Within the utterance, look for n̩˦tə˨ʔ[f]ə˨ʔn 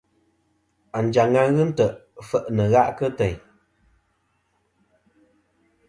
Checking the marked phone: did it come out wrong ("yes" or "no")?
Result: no